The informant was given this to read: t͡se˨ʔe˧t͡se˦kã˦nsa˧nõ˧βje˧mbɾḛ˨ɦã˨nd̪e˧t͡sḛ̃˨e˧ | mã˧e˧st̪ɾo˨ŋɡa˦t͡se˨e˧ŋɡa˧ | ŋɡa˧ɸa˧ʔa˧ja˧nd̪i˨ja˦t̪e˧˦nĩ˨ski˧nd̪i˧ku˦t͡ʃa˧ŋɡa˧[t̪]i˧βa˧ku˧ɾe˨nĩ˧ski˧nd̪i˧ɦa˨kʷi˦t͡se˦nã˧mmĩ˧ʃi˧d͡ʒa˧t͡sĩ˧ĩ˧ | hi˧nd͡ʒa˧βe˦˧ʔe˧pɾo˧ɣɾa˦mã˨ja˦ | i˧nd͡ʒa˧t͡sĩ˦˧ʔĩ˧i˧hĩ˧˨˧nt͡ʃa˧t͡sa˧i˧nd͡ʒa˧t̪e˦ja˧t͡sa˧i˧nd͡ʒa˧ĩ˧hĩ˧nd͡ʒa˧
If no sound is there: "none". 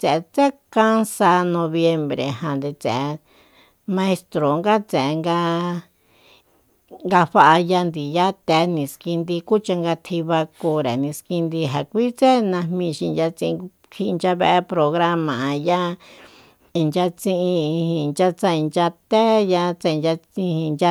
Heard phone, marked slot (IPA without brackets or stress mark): t̪ʰ